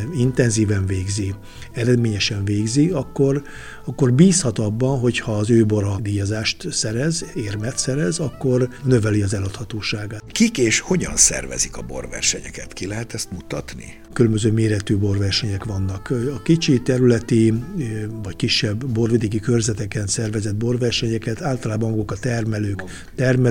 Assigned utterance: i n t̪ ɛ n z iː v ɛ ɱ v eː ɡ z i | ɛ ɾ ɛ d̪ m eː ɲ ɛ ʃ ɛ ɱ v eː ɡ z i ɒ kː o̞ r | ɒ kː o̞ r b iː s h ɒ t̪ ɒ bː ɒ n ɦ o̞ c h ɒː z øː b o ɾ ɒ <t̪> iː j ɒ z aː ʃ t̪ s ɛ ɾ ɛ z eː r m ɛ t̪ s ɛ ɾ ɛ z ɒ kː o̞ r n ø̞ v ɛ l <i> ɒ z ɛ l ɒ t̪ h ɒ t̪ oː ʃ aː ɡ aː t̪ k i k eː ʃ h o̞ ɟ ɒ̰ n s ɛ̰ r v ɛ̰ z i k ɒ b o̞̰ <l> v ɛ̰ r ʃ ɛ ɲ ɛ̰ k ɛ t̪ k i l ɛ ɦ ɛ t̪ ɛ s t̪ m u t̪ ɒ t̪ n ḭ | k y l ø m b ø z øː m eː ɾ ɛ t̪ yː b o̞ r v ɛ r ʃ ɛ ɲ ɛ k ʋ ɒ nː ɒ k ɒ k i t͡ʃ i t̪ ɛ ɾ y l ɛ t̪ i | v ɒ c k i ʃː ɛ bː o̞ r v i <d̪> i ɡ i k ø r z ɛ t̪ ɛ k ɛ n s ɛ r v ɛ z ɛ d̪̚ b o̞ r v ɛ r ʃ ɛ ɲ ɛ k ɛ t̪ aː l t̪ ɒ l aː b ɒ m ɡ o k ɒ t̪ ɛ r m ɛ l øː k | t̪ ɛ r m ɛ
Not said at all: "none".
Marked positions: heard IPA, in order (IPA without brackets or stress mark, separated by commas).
d̪, i, r, d̪